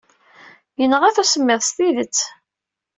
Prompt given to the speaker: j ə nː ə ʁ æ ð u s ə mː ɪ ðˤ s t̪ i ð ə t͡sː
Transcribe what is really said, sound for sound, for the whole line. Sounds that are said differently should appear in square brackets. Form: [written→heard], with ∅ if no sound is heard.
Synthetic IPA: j ə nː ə ʁ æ [ð→θ] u s ə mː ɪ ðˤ s t̪ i ð ə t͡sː